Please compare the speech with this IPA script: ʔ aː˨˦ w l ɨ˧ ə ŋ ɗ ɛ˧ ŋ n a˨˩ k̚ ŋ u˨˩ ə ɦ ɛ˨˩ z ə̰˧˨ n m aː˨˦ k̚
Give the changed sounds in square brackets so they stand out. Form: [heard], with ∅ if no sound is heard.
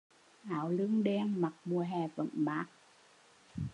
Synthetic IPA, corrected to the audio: ʔ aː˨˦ w l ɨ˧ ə ŋ ɗ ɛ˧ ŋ [m] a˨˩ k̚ [m] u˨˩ ə ɦ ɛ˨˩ [v] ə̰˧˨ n m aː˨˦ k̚